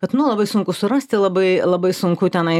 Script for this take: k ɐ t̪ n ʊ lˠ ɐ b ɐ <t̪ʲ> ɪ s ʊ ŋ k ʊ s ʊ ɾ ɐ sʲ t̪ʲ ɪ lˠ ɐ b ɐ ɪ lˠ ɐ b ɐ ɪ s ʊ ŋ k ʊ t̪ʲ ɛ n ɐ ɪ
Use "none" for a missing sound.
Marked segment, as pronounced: none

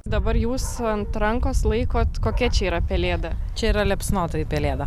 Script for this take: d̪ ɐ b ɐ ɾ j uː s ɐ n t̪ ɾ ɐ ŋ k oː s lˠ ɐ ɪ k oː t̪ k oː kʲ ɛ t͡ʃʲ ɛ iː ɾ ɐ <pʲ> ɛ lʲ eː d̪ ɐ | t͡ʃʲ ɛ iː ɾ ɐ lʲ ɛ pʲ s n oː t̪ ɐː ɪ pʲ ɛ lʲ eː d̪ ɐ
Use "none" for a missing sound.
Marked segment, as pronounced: pʲ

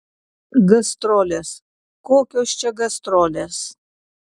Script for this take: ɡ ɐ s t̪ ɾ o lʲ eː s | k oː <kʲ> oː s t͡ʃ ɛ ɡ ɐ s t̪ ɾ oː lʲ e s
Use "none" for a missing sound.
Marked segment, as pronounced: kʲ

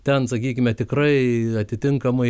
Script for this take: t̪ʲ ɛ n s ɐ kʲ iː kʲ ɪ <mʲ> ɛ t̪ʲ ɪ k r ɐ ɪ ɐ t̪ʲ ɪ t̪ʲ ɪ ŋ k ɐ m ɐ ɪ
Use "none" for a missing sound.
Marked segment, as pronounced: mʲ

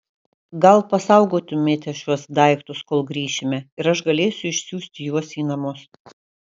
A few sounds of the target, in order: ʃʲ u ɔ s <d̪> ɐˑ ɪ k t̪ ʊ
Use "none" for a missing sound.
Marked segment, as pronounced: d̪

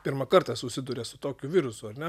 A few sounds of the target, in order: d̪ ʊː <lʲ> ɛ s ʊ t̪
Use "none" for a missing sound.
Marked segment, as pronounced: ɾʲ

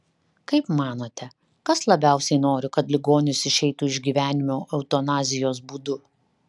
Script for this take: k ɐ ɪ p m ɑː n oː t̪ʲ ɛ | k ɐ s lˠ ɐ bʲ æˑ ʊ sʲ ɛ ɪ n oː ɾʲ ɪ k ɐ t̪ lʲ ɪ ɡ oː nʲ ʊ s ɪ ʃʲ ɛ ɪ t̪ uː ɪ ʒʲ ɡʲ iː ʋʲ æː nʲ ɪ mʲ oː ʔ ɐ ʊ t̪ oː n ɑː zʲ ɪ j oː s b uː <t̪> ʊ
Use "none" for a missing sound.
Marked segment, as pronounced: d̪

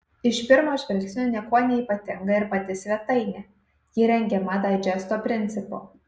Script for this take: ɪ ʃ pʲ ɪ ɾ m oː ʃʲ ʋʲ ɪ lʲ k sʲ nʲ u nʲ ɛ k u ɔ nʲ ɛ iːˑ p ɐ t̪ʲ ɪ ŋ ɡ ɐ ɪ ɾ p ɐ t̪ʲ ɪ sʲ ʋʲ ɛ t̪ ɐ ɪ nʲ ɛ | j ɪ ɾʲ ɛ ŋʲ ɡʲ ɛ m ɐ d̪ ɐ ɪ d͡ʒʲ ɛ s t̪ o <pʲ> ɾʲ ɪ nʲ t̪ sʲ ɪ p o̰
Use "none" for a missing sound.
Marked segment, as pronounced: pʲ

